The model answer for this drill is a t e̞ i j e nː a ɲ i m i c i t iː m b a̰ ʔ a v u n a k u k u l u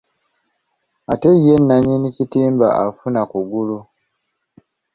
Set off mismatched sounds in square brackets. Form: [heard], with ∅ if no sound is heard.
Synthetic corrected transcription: a t e̞ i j e nː a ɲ i [n] i c i t iː m b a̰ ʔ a [f] u n a k u [ɡ] u l u